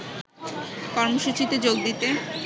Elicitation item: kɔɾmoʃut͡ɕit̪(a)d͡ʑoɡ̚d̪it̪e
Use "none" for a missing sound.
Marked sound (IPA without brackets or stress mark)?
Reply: e